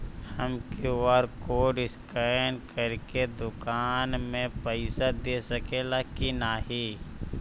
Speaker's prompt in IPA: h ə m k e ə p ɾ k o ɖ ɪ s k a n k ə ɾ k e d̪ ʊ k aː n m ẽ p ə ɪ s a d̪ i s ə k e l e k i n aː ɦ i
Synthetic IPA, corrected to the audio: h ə m k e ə ɾ k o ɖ ɪ s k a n k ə ɾ k e d̪ ʊ k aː n m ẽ p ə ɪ s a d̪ e s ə k e l a k i n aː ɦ i

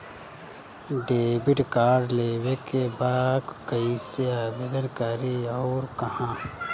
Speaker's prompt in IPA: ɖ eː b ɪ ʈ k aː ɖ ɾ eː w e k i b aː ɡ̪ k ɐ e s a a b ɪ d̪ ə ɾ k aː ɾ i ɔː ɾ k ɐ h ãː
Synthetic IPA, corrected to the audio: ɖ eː b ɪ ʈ k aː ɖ l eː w e k e b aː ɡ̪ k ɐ i s e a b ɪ d̪ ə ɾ k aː ɾ i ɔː ɾ k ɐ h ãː

